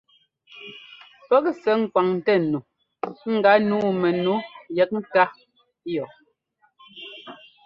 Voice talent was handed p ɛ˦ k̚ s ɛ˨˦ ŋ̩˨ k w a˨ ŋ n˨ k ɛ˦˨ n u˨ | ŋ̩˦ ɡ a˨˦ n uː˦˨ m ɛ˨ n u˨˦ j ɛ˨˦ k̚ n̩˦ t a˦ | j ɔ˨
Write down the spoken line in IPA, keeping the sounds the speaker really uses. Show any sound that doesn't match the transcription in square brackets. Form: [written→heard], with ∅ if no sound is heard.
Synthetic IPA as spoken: p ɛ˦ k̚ s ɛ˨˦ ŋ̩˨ k w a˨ ŋ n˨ [k→t] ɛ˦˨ n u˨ | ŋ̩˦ ɡ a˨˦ n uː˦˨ m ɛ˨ n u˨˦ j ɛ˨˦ k̚ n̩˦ t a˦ | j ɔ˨